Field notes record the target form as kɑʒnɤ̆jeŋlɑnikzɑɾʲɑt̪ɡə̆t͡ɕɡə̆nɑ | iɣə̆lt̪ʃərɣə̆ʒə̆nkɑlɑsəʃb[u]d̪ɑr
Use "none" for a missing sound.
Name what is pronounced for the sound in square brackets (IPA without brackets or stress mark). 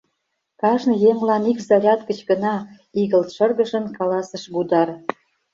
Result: u